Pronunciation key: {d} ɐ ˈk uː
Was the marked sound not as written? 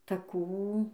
yes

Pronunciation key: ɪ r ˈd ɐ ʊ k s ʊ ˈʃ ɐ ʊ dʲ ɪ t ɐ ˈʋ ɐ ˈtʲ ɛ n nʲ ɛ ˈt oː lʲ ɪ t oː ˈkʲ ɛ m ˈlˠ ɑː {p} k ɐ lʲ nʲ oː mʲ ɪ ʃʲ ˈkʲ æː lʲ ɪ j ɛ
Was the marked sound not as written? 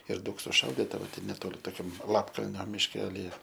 no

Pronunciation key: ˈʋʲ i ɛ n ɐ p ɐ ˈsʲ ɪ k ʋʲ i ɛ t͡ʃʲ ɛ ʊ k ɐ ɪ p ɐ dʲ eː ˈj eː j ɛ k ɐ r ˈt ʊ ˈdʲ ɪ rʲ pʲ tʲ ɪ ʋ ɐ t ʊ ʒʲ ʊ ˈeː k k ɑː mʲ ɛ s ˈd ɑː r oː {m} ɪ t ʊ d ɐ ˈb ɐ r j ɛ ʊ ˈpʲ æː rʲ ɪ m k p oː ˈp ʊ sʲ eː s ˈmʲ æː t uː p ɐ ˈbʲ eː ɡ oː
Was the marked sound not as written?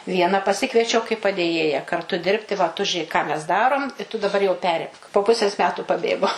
no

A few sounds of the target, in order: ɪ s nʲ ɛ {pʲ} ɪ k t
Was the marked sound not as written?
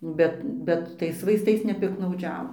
no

